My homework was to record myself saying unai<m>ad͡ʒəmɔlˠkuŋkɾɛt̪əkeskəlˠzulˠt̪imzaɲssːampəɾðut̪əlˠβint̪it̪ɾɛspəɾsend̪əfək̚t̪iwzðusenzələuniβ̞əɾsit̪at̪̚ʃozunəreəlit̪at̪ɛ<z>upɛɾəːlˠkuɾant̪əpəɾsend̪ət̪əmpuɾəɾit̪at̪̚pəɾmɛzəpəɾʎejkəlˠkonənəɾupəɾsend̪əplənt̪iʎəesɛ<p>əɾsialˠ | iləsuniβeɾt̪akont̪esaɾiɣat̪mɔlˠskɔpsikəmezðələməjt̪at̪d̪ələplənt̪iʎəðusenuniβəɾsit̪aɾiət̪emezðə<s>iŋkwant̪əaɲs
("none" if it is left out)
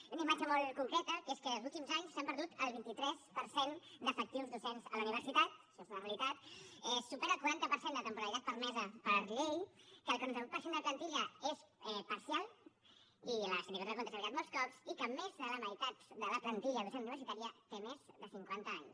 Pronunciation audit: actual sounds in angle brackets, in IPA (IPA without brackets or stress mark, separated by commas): m, s, p, s